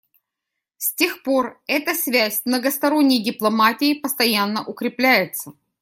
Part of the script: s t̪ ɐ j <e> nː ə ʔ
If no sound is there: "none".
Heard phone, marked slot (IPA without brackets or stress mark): a